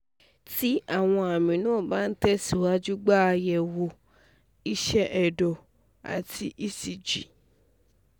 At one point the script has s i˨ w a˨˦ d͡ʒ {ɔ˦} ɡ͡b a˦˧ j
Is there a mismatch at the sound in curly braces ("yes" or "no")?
yes